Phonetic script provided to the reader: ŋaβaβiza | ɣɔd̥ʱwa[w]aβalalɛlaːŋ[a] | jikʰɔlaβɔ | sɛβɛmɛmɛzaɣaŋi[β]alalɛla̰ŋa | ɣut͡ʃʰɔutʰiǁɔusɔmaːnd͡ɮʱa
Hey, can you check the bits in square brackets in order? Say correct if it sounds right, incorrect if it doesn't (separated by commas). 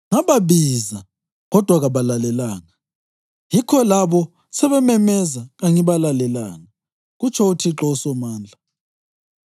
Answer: incorrect, correct, correct